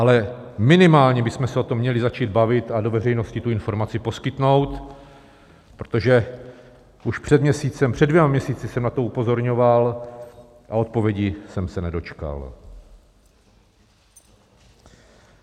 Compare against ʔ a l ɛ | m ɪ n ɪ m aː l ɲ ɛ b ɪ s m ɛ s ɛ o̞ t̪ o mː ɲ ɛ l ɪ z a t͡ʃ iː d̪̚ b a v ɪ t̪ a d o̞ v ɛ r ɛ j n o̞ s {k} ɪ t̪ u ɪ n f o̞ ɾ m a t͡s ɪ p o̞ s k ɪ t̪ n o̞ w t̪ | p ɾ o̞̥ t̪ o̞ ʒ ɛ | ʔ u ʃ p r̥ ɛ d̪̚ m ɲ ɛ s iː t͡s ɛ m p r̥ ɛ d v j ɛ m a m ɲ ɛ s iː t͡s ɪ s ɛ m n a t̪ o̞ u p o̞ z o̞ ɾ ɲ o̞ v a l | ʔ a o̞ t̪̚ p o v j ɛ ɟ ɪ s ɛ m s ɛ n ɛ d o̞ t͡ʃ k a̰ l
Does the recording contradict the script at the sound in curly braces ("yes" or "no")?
yes